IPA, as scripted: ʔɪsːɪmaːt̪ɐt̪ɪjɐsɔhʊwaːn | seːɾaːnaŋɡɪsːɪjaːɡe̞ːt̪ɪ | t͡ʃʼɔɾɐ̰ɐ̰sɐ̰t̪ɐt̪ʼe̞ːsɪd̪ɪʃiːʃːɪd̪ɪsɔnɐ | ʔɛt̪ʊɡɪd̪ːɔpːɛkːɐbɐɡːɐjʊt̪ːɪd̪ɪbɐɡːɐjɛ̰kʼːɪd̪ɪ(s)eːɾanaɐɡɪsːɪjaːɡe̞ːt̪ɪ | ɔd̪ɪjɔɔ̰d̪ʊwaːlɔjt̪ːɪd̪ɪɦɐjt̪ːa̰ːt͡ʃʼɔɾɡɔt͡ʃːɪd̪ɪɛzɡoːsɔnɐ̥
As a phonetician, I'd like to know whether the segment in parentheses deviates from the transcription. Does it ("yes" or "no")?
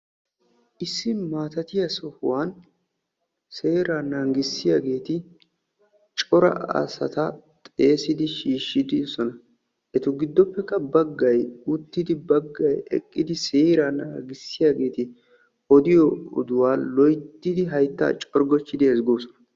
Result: no